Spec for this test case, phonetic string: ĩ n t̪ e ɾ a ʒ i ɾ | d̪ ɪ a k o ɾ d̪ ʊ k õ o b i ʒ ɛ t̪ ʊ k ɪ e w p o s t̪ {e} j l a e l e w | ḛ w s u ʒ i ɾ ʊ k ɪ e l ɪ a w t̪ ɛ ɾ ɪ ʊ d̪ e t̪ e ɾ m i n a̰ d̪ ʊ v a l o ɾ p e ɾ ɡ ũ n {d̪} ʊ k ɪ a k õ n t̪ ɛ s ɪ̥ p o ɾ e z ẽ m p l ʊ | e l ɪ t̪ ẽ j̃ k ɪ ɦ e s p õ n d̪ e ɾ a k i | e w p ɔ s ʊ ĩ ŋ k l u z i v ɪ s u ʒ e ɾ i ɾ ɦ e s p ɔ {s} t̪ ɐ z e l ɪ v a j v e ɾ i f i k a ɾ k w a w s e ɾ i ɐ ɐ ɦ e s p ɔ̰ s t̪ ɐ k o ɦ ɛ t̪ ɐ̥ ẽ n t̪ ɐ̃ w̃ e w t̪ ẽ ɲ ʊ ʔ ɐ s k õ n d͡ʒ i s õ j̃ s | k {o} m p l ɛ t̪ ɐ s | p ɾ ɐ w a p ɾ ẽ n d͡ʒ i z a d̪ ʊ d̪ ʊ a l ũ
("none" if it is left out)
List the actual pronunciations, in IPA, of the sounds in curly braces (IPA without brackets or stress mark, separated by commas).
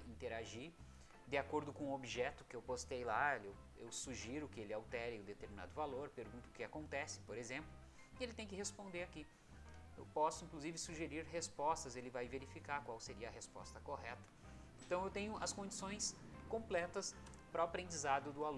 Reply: e, t̪, s, õ